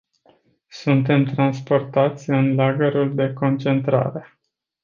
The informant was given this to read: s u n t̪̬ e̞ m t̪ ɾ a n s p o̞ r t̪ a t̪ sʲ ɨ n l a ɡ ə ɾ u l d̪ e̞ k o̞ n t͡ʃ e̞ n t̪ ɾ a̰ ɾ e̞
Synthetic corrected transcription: s u n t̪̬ e̞ m t̪ ɾ a n s p o̞ r t̪ a t̪ sʲ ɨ n l a ɡ ə ɾ u l d̪ e̞ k o̞ n t͡ʃ e̞ n t̪ ɾ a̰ ɾ e̞